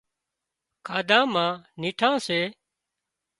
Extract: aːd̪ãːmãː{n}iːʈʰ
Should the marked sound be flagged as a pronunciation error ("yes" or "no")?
no